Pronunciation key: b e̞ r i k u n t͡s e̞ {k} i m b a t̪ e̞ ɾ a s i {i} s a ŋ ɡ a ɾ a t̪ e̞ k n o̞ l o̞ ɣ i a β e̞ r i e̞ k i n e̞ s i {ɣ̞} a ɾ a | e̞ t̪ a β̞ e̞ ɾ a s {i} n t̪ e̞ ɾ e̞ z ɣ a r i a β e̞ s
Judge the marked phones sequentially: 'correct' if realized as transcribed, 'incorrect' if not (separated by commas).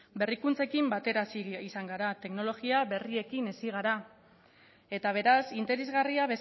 correct, correct, correct, correct